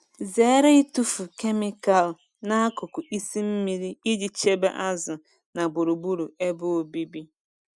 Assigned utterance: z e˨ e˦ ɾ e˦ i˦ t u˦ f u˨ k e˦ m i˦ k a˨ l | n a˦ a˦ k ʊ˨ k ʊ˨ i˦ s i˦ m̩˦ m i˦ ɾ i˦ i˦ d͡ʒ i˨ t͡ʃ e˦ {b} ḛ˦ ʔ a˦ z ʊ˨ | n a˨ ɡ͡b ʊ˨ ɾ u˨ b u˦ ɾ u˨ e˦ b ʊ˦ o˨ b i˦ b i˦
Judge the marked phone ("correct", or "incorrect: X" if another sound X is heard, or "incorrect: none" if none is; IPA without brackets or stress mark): correct